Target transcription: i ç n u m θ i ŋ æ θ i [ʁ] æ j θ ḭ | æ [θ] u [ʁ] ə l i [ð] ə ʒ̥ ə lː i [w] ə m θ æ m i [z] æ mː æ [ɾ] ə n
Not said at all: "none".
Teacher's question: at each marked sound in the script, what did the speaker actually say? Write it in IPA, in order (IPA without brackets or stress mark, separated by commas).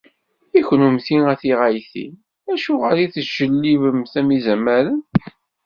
ʁ, ʃ, ʁ, θ, v, z, ɾ